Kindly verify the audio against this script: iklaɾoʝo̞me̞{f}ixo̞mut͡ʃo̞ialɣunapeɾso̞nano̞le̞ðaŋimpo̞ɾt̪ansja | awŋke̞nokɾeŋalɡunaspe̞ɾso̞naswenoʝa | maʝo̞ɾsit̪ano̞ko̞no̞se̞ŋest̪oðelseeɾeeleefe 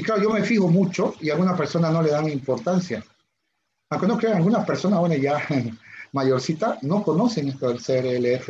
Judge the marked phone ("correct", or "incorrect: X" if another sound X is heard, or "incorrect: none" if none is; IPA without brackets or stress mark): correct